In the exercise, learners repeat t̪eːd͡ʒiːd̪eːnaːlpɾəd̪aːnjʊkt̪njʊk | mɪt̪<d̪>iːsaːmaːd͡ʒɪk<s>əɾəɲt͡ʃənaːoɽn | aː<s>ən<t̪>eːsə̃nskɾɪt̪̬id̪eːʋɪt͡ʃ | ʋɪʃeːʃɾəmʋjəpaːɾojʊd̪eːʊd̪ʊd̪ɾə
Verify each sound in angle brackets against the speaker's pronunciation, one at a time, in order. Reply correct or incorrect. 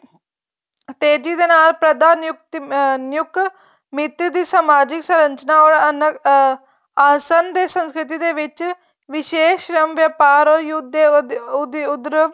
correct, correct, correct, incorrect

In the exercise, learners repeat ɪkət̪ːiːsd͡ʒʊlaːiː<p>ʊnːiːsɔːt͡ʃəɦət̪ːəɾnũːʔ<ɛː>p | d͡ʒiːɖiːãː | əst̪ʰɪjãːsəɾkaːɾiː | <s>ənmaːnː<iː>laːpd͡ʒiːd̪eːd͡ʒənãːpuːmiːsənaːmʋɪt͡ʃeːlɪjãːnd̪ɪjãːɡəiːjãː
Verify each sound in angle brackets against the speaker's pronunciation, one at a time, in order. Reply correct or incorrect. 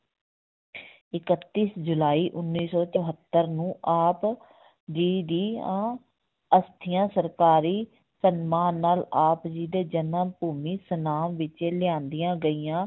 incorrect, incorrect, correct, incorrect

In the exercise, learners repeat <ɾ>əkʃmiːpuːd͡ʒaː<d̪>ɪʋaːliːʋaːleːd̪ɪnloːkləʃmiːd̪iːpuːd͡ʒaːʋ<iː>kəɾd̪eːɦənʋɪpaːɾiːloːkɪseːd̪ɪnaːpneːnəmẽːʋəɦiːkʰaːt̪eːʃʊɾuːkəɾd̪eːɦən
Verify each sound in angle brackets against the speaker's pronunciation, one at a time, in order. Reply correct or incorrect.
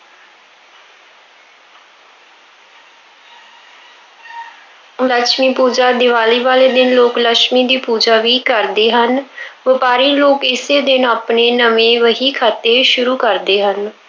incorrect, correct, correct

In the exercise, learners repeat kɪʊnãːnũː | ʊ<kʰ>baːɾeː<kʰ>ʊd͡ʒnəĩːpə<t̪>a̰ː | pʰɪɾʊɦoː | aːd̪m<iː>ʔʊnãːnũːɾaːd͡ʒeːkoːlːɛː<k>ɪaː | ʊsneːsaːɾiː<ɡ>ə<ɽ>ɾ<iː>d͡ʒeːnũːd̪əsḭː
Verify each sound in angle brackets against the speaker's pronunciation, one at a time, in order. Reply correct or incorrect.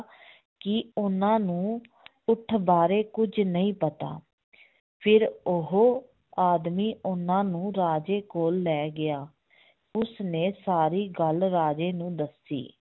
incorrect, incorrect, correct, correct, incorrect, correct, incorrect, incorrect

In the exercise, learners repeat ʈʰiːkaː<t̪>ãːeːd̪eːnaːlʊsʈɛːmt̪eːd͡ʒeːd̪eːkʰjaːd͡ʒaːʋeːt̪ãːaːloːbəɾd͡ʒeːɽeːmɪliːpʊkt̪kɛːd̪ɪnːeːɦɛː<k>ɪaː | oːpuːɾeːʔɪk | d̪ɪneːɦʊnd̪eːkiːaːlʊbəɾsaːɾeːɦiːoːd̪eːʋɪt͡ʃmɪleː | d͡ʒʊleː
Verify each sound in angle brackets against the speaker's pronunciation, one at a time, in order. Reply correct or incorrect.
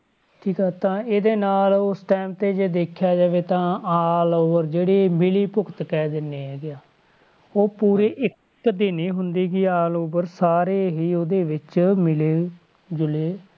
correct, incorrect

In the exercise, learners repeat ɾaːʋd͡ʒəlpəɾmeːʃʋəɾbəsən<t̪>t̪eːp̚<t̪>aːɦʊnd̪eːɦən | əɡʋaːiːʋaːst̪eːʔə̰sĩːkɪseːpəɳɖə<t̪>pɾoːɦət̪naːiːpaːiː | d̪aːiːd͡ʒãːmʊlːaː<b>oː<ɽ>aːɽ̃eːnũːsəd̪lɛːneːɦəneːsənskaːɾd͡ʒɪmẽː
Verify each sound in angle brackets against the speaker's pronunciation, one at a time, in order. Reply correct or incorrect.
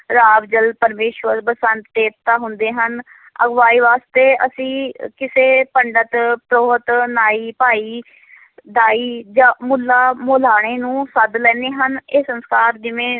correct, correct, correct, incorrect, incorrect

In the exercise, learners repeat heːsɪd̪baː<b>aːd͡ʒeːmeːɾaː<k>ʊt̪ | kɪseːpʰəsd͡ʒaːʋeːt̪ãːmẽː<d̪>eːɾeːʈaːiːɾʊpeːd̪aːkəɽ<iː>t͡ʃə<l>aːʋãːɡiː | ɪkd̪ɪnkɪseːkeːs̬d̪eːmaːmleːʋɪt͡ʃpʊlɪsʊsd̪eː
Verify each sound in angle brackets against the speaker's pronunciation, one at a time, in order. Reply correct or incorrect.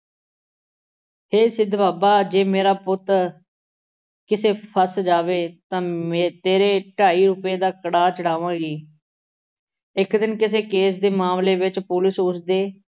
correct, incorrect, incorrect, incorrect, incorrect

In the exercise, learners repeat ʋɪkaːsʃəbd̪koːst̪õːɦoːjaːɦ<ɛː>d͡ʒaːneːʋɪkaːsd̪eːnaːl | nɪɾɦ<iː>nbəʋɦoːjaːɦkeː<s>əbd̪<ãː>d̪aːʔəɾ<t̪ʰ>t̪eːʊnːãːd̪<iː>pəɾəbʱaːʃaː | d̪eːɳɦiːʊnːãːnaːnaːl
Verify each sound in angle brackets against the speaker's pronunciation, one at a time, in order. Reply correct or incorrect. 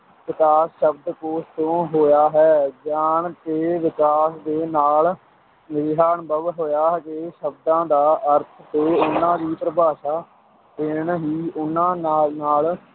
correct, incorrect, incorrect, correct, correct, correct

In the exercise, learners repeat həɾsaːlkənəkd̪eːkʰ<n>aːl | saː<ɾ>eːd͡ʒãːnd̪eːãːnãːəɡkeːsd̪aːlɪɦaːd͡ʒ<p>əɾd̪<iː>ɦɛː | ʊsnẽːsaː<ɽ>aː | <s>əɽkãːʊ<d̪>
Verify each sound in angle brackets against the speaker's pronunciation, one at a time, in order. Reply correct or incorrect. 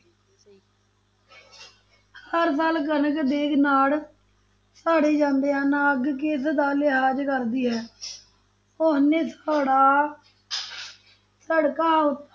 correct, incorrect, incorrect, correct, correct, correct, incorrect

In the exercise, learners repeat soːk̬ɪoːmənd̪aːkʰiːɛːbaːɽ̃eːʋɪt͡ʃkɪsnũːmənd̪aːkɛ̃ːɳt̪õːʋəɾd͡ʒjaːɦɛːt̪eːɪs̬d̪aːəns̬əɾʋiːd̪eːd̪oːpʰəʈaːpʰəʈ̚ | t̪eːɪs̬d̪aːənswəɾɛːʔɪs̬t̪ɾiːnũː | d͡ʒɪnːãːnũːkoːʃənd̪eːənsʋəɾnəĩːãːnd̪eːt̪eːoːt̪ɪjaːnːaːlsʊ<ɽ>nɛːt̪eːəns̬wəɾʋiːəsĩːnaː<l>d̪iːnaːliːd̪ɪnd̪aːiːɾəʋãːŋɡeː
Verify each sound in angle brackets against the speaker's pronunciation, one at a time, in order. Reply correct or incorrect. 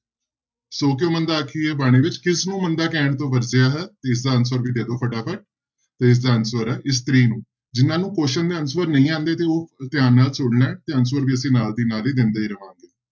correct, correct

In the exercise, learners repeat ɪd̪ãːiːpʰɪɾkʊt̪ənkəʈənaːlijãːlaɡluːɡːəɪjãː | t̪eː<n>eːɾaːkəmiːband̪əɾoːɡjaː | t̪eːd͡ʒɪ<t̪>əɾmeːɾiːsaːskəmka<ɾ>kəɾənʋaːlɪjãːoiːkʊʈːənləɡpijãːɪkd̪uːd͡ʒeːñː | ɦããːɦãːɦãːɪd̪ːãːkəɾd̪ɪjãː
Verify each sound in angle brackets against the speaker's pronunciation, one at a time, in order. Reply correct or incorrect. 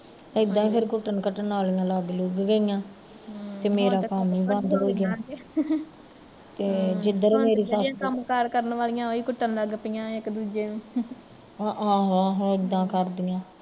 incorrect, incorrect, correct

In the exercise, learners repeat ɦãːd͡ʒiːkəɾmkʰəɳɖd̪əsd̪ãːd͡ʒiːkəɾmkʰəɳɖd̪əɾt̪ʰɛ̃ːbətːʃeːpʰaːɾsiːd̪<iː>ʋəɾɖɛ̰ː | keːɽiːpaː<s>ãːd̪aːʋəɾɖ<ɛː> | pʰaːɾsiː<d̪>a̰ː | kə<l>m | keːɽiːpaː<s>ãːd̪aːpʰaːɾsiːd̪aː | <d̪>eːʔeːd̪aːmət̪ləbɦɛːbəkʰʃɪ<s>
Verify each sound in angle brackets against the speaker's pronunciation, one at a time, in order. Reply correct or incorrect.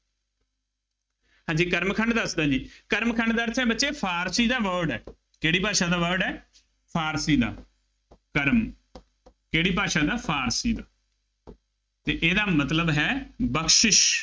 incorrect, incorrect, correct, correct, incorrect, incorrect, incorrect, incorrect

